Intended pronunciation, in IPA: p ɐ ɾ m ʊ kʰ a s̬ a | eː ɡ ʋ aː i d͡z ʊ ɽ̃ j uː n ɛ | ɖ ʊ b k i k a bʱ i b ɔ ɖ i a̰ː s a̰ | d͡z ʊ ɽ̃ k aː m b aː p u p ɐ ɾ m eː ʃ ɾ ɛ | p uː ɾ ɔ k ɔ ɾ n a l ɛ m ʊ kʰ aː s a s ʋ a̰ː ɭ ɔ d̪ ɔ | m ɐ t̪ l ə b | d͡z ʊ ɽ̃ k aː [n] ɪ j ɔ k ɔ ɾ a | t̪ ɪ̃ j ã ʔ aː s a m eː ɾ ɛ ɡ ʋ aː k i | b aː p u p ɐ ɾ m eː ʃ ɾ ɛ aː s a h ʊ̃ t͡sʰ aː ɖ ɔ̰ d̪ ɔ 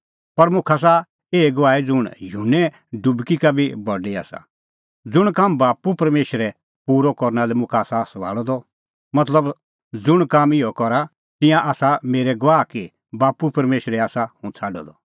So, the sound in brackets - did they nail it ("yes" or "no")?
no